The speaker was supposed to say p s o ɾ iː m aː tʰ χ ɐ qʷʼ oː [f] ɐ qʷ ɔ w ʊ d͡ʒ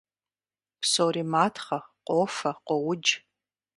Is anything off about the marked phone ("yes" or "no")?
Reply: no